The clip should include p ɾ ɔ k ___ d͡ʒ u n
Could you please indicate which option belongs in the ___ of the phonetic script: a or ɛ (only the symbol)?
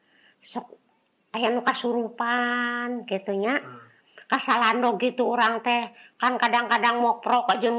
a